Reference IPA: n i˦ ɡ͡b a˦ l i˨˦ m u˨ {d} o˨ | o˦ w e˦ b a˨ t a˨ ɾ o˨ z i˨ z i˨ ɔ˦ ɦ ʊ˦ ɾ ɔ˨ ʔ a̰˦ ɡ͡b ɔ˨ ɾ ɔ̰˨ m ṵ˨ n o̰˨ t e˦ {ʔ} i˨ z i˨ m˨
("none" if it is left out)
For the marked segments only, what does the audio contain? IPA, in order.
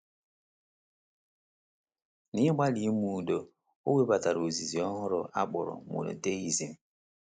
d, none

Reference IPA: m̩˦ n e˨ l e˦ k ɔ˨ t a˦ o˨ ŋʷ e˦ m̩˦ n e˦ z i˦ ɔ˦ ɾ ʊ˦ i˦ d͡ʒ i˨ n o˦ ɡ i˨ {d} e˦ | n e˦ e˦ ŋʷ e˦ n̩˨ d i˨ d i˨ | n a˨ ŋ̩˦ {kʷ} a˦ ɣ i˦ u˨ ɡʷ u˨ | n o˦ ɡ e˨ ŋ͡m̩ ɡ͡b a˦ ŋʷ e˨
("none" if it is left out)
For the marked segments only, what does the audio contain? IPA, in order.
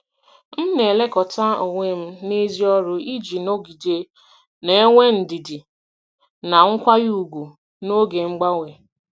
d, kʷ

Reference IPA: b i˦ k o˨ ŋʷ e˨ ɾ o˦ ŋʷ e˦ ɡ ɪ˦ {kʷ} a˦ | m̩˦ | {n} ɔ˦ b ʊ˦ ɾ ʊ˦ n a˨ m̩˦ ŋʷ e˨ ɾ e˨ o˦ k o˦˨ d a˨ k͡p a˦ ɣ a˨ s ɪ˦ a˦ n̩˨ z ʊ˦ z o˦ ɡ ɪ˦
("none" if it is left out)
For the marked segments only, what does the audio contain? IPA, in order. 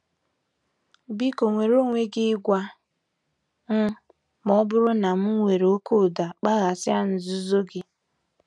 ɡʷ, m

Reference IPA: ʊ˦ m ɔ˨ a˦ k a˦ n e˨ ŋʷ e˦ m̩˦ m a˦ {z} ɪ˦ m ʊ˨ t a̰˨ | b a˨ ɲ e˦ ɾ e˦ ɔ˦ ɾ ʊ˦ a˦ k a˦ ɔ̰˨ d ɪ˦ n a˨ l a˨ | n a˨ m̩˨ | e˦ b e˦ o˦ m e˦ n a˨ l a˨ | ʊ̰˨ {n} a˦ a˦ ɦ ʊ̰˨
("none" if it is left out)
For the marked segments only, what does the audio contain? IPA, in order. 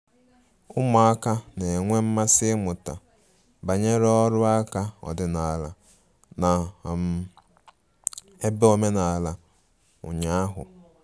s, ɲ

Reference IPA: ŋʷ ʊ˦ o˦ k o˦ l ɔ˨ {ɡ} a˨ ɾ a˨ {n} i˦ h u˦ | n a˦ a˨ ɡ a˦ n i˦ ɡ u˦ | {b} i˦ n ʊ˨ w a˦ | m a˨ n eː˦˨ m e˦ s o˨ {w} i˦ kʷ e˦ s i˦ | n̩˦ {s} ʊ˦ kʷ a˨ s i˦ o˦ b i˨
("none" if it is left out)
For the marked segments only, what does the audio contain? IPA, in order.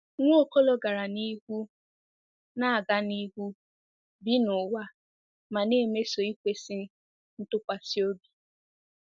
ɡ, n, b, none, t

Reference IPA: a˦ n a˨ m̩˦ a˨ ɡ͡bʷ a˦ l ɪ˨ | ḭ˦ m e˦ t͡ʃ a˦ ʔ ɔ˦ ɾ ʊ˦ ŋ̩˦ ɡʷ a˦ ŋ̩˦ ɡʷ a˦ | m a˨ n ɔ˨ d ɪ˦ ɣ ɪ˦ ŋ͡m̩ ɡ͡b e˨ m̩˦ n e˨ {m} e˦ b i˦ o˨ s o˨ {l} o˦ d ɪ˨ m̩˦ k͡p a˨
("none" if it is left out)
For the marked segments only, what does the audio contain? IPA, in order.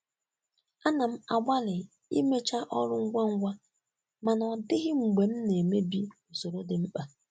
m, ɾ

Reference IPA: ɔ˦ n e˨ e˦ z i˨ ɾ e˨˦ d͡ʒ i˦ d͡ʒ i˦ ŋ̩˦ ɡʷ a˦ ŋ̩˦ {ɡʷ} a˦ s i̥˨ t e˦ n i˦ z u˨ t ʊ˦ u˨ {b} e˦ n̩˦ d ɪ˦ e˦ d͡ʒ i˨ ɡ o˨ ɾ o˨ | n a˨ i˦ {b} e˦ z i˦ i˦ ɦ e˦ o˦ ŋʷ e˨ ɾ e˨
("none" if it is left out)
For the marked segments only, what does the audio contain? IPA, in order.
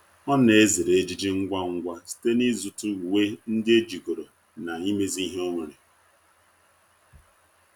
ɡʷ, w, m

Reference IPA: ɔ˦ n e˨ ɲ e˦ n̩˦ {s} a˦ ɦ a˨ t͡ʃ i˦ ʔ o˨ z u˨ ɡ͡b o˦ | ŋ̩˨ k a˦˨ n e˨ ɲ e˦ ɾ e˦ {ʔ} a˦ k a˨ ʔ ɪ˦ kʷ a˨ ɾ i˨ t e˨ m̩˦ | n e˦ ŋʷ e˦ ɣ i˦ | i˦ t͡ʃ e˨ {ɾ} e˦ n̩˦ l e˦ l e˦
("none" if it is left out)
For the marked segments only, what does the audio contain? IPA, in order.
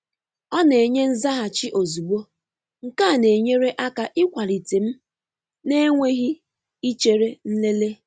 z, ʔ, ɾ

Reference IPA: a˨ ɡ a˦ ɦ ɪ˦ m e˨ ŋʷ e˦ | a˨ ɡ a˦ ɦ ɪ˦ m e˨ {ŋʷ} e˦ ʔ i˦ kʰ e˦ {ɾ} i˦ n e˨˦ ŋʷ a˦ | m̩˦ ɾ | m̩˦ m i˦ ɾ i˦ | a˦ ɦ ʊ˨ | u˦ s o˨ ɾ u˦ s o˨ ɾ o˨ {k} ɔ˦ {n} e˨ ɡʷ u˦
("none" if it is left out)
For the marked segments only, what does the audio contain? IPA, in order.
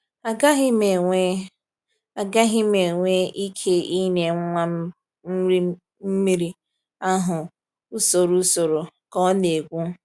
ŋʷ, none, k, n

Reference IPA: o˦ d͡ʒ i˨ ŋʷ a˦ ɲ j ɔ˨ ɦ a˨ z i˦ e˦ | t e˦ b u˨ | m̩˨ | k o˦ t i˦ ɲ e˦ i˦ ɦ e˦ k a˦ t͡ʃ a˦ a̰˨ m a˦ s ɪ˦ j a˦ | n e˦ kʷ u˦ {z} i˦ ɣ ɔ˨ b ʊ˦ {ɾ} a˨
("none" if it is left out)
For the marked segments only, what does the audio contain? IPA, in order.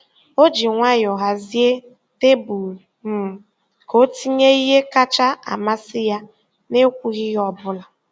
ɣ, l

